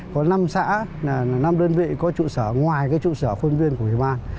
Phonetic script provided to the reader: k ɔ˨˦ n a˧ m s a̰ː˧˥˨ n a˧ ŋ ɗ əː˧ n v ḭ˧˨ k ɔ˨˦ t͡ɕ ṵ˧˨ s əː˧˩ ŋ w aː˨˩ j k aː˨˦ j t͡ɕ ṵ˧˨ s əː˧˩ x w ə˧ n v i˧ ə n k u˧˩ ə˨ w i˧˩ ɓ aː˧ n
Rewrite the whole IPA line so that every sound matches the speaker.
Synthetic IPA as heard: k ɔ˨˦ n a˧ m s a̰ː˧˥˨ n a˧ m ɗ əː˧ n v ḭ˧˨ k ɔ˨˦ t͡ɕ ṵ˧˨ s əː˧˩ ŋ w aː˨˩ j k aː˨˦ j t͡ɕ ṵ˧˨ s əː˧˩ x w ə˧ n v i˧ ə n k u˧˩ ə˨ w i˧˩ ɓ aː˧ n